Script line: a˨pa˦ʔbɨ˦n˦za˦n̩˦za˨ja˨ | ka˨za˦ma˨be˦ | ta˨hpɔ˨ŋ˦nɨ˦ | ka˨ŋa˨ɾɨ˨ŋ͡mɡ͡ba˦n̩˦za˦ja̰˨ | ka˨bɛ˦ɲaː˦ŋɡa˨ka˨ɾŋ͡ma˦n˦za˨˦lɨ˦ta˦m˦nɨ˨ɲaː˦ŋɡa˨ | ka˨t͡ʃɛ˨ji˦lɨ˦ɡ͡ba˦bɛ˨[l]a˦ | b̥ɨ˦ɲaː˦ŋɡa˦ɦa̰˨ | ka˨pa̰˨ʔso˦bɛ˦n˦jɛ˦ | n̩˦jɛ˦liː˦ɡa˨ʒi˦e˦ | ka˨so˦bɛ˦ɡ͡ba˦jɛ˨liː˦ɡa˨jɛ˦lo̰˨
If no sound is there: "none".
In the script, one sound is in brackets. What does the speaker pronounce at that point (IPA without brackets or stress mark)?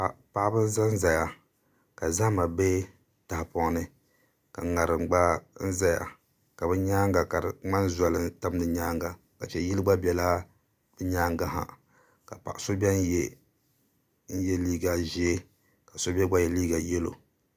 l